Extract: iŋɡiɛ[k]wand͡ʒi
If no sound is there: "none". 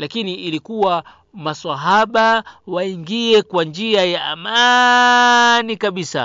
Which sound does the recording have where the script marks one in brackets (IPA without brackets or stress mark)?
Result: k